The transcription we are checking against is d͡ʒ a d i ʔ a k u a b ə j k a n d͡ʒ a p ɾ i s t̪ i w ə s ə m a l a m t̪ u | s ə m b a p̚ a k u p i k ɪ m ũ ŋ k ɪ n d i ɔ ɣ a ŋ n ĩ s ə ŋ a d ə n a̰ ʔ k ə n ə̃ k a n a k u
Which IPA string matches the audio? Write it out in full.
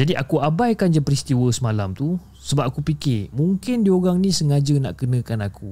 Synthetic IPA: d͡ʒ a d i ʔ a k u a b a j k a n d͡ʒ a p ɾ i s t̪ i w ə s ə m a l a m t̪ u | s ə b a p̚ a k u p i k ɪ m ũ ŋ k ɪ n d i o ɣ a ŋ n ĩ s ə ŋ a d͡ʒ ə n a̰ ʔ k ə n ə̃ k a n a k u